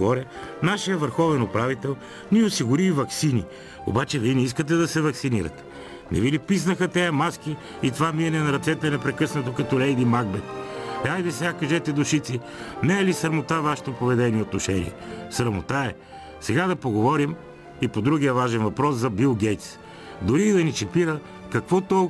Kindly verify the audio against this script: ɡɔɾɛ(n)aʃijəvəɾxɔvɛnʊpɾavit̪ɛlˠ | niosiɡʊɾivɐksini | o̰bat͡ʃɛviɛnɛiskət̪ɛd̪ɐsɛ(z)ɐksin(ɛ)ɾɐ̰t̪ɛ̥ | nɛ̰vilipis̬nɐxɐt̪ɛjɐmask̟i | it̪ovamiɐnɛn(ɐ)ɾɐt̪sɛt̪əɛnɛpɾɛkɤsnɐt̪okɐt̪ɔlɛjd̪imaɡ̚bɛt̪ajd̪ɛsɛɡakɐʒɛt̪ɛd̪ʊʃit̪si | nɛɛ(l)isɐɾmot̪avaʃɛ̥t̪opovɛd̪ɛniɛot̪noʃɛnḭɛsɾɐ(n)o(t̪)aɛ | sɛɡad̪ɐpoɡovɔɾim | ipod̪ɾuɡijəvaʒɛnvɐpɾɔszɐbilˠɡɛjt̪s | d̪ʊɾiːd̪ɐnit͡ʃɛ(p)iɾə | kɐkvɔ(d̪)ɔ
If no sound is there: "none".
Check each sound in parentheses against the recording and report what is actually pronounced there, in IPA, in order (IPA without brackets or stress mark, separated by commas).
n, v, i, ɐ, l, m, t̪, p, t̪